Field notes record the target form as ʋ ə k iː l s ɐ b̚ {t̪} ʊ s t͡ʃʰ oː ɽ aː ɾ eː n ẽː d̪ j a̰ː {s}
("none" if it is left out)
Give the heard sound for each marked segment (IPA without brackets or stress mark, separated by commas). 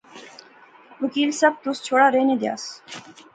t̪, s